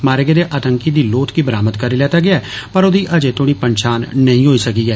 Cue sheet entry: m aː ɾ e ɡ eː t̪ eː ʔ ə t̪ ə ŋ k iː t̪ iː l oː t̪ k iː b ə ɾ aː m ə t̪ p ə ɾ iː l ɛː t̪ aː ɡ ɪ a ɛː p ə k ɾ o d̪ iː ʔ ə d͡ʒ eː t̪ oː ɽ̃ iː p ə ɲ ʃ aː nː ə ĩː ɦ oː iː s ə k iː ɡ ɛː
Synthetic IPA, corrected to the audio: m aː ɾ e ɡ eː d̪ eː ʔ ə t̪ ə ŋ k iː d̪ iː l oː t̪ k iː b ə ɾ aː m ə t̪ k ə ɾ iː l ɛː t̪ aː ɡ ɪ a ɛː p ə ɾ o d̪ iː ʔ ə d͡ʒ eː t̪ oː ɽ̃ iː p ə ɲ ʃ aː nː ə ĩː ɦ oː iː s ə k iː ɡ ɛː